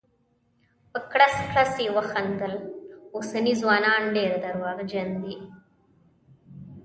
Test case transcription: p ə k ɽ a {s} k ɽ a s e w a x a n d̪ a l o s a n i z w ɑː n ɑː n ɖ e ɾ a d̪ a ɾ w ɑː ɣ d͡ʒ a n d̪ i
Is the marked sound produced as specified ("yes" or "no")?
yes